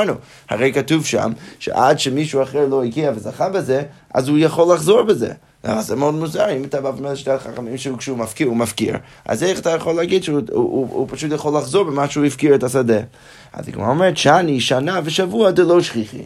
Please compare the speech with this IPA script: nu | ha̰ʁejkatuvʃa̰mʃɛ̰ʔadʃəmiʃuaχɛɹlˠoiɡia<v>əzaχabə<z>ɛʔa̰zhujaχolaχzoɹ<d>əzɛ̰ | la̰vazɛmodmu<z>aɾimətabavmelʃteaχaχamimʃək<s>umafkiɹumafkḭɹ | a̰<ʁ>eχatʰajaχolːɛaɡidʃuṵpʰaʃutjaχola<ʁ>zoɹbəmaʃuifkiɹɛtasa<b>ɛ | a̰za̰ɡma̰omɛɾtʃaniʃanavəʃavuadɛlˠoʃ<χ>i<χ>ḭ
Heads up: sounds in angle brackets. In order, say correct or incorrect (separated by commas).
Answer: correct, correct, incorrect, correct, incorrect, incorrect, incorrect, incorrect, correct, correct